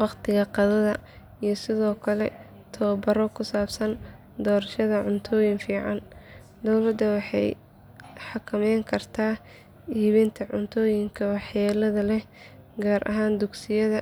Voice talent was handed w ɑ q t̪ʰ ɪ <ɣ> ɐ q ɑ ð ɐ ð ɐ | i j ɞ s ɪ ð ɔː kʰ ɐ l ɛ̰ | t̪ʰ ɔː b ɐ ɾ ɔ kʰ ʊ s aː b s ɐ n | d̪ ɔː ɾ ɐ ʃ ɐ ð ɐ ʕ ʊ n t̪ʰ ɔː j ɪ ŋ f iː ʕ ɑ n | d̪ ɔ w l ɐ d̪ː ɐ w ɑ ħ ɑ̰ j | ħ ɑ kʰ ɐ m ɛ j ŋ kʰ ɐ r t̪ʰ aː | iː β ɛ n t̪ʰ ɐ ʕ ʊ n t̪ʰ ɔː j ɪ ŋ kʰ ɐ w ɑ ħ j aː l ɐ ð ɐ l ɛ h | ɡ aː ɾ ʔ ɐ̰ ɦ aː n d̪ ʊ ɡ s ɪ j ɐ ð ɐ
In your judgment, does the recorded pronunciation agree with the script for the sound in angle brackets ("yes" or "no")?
yes